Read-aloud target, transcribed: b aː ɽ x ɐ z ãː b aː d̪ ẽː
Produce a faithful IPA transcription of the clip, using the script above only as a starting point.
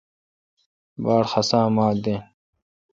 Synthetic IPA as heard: b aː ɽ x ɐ s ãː m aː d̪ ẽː